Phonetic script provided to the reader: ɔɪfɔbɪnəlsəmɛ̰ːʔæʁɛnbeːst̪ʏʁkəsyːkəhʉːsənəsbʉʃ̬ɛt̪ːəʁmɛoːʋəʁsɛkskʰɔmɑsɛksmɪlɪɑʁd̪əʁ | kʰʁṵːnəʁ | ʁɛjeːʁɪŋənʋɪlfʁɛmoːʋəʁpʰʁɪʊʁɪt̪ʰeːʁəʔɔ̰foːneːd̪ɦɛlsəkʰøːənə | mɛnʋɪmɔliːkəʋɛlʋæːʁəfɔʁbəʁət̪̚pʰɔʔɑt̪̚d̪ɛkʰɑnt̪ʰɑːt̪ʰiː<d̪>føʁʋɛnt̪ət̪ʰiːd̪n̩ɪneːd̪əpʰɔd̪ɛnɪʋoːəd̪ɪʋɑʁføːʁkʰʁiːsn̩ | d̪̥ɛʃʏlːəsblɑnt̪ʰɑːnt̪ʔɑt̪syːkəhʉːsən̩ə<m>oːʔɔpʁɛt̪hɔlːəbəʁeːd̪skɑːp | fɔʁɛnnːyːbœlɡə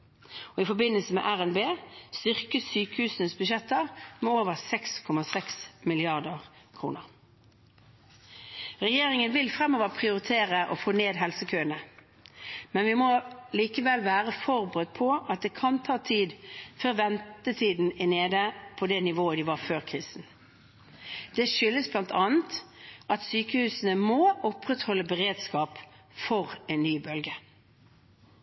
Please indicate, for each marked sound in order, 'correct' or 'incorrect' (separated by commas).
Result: correct, correct